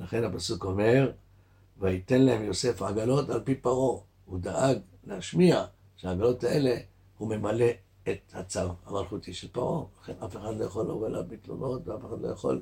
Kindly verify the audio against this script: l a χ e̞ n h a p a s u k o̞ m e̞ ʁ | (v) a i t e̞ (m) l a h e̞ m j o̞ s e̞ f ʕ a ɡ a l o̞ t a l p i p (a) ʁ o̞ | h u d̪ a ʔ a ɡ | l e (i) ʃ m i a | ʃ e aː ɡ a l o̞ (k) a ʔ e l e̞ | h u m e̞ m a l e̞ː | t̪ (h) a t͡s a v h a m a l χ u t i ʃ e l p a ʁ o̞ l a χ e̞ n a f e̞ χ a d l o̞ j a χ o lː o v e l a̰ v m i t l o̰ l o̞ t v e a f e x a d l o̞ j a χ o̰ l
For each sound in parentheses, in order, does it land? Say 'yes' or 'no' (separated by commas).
yes, no, yes, no, no, yes